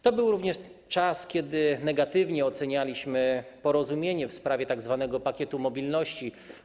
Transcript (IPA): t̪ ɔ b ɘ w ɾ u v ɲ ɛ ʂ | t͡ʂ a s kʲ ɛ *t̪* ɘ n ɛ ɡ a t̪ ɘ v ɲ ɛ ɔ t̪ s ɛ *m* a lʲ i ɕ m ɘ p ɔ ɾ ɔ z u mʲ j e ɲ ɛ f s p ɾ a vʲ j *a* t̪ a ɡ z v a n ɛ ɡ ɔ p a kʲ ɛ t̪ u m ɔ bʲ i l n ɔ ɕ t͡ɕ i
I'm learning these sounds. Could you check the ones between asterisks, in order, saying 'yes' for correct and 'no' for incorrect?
no, no, no

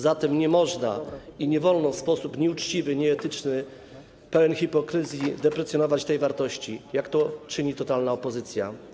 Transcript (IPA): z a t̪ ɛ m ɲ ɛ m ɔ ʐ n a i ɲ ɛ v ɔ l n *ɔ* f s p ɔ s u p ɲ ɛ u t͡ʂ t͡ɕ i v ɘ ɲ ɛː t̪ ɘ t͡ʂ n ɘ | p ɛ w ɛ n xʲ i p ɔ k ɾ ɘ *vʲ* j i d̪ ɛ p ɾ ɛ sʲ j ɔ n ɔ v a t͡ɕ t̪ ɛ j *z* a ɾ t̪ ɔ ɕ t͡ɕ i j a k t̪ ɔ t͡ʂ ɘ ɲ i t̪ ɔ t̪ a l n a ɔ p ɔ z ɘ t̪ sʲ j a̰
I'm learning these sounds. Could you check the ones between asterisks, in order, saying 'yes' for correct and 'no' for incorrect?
yes, no, no

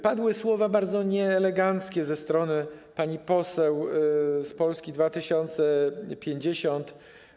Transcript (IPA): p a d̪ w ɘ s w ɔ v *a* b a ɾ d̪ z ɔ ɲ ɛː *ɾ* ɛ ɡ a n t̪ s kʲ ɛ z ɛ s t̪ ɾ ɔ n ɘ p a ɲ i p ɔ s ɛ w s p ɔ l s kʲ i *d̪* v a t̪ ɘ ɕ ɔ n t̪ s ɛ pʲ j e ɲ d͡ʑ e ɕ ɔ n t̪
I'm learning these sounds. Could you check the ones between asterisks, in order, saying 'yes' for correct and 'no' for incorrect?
yes, no, yes

